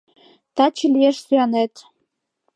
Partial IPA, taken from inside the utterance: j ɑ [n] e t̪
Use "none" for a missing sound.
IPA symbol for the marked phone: n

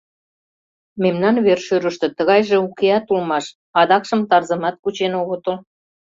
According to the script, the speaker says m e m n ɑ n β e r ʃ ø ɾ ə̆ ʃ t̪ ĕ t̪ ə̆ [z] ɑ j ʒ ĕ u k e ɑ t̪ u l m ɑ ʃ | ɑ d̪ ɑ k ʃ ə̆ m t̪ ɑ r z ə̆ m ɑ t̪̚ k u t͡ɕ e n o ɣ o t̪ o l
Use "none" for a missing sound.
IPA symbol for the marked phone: ɣ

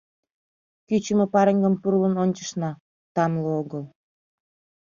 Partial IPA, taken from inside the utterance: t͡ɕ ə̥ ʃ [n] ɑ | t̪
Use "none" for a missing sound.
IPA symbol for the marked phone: n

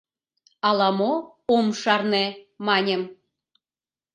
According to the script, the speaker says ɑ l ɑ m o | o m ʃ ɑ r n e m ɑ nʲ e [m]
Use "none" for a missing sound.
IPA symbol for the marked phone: m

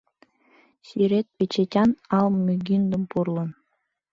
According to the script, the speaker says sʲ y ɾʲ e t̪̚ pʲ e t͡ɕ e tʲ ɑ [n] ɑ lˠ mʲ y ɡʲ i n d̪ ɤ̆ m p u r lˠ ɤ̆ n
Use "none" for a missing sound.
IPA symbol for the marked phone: n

